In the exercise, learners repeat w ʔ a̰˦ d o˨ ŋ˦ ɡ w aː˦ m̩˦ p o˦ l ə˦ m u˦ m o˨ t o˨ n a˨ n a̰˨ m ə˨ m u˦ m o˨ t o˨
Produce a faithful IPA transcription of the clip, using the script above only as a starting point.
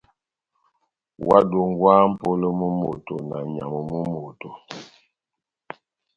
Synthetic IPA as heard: w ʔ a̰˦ d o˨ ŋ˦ ɡ w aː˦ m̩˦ p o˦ l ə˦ m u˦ m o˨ t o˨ n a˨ ɲ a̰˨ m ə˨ m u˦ m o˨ t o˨